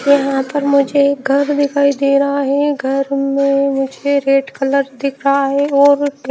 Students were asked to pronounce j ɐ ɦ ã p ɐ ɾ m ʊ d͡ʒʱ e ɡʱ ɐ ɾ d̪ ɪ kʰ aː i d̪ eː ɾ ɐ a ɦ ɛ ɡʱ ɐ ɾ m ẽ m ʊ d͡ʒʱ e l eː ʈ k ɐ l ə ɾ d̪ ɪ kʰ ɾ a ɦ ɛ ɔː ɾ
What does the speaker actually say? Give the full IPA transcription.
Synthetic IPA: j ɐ ɦ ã p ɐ ɾ m ʊ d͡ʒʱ e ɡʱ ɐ ɾ d̪ ɪ kʰ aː i d̪ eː ɾ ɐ a ɦ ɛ ɡʱ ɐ ɾ m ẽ m ʊ d͡ʒʱ e ɾ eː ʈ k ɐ l ə ɾ d̪ ɪ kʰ ɾ a ɦ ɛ ɔː ɾ